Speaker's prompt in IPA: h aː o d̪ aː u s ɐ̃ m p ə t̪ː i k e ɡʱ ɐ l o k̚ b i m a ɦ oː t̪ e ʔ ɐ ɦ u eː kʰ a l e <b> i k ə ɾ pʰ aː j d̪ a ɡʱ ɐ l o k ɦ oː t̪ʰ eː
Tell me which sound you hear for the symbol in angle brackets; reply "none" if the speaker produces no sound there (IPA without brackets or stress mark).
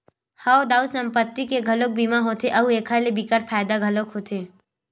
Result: b